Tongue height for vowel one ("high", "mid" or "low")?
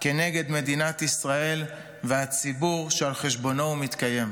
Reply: mid